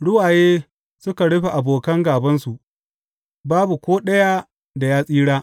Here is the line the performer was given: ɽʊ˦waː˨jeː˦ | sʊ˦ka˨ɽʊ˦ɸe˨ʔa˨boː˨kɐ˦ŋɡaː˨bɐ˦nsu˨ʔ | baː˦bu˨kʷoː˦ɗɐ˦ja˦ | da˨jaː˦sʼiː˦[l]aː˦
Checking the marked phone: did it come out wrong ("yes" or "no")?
yes